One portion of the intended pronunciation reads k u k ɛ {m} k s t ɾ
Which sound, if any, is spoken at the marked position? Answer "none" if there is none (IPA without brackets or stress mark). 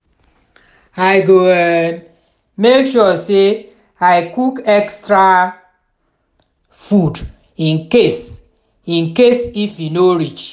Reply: none